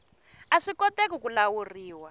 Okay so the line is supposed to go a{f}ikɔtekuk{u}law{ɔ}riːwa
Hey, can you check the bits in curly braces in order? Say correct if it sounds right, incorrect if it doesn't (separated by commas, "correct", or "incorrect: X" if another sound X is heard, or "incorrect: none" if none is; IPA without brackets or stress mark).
incorrect: ʂ, correct, incorrect: u